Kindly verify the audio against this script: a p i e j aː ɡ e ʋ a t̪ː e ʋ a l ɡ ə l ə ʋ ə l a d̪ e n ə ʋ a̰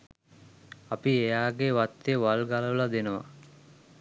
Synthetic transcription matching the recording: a p i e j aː ɡ e ʋ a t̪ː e ʋ a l ɡ a l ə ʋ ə l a d̪ e n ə ʋ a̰

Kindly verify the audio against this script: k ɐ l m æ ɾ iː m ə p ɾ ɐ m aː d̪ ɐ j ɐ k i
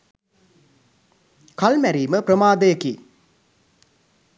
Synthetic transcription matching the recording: k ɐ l m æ ɾ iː m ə p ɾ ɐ m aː d̪ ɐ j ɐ k i

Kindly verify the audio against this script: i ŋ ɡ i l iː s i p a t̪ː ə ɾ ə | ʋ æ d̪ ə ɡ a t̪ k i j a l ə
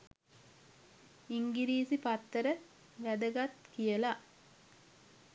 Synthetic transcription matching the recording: i ŋ ɡ i ɾ iː s i p a t̪ː ə ɾ ə | ʋ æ d̪ ə ɡ a t̪ k i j ə l a

